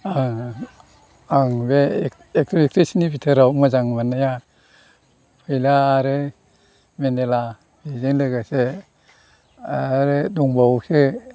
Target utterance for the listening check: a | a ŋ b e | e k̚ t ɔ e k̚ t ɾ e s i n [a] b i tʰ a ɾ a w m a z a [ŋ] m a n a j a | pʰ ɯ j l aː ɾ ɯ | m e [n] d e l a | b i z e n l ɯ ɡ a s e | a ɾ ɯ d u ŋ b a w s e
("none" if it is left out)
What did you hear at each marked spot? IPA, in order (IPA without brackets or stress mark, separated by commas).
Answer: i, ŋ, n